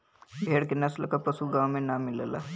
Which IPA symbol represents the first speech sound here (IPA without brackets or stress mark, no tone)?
bʱ